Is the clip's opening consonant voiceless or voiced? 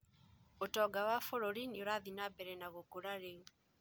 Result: voiceless